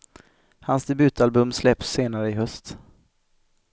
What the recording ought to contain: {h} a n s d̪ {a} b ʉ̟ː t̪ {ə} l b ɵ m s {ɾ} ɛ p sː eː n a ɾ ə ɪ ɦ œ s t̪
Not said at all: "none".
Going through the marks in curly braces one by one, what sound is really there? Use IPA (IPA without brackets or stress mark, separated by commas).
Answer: h, ɛ, a, l